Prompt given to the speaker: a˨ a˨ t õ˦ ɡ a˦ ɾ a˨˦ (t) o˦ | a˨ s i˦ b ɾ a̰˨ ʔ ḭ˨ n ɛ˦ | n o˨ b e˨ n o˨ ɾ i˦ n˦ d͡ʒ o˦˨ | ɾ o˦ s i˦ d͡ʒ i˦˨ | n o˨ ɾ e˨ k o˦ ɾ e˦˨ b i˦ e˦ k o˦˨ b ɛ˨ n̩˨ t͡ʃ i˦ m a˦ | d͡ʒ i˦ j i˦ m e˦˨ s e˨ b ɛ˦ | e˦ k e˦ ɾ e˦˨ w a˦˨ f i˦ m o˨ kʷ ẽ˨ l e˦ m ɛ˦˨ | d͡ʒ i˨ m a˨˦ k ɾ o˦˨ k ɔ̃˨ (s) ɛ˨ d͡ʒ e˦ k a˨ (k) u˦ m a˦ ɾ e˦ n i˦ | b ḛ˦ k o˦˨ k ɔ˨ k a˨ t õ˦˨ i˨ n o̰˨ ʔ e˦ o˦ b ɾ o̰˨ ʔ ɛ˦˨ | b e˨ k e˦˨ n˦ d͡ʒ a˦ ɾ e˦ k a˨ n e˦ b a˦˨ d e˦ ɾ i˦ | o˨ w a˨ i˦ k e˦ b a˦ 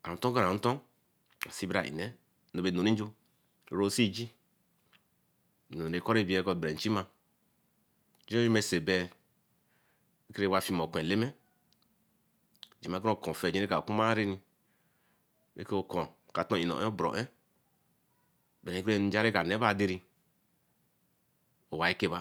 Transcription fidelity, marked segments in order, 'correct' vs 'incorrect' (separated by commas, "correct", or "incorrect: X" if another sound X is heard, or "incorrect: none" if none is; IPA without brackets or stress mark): correct, incorrect: f, correct